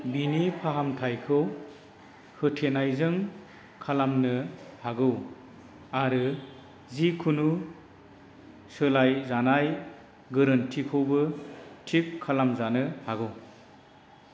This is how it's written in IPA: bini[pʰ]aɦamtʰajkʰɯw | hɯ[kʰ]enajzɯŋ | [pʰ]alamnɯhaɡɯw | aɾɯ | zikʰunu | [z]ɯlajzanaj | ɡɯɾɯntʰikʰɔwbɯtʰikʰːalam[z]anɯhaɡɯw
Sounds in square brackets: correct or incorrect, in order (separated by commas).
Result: correct, incorrect, incorrect, incorrect, correct